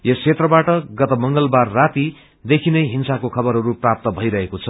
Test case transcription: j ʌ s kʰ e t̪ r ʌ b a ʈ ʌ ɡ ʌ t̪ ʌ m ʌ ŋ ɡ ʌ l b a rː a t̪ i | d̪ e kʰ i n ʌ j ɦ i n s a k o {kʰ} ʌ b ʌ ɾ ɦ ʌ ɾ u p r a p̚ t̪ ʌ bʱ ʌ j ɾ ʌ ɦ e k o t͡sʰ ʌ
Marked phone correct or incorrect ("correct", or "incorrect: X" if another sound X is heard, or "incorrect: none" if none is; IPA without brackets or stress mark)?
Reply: correct